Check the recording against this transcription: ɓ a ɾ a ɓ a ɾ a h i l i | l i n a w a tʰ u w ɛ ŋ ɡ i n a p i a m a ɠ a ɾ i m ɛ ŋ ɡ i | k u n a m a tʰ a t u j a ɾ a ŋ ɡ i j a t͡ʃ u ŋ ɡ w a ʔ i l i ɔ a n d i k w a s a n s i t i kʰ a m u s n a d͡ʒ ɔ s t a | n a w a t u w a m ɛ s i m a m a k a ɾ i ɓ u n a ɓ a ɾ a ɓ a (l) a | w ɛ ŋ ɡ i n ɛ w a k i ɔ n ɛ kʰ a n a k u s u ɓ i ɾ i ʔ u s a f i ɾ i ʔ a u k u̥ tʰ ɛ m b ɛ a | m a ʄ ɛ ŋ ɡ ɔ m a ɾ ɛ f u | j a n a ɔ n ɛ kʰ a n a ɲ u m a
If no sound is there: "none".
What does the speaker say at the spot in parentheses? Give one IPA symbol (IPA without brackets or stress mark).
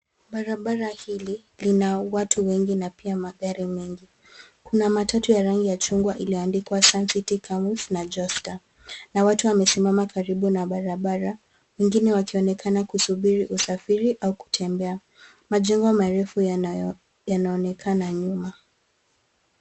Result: ɾ